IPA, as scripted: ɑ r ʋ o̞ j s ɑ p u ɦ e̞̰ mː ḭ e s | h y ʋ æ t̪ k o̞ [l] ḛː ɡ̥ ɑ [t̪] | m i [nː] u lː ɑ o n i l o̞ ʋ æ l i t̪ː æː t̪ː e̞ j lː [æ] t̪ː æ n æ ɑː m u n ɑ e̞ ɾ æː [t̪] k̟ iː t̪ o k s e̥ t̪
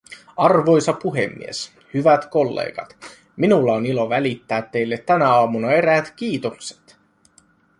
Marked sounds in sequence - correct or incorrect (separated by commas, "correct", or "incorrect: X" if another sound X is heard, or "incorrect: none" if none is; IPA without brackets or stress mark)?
incorrect: lː, correct, incorrect: n, incorrect: e, correct